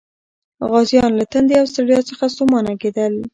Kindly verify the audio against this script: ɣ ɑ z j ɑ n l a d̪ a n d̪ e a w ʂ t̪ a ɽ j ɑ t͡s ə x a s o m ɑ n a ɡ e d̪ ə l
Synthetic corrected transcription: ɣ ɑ z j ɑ n l a t̪ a n d̪ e a w s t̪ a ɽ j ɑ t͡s ə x a s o m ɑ n a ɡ e d̪ ə l